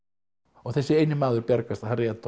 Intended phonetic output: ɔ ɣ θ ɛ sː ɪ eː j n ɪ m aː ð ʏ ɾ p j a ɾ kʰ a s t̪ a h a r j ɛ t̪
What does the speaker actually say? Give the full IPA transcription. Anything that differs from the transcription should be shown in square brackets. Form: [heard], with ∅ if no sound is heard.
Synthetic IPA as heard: ɔ ɣ θ ɛ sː ɪ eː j n ɪ m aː ð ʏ ɾ p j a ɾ [k] a s t̪ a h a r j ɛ t̪